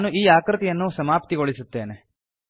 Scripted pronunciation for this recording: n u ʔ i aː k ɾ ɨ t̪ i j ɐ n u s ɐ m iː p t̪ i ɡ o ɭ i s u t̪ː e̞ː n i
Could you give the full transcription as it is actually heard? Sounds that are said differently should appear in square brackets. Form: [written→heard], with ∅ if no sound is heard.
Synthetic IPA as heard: n u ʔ [i→iː] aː k ɾ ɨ t̪ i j ɐ [n→nː] u s ɐ m [iː→aː] p t̪ i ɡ o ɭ i s u t̪ː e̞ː n [i→e]